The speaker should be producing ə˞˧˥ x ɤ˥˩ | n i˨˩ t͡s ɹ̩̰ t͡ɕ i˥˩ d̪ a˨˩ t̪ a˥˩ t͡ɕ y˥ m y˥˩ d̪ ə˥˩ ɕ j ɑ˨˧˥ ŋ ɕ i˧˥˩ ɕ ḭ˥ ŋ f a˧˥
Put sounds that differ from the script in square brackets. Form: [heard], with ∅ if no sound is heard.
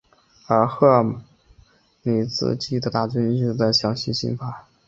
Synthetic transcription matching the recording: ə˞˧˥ x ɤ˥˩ | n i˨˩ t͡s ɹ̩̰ t͡ɕ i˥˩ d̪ [ə˨˩] t̪ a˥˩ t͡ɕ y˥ [n] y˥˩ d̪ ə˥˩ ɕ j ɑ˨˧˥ ŋ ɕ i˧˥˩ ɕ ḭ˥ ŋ f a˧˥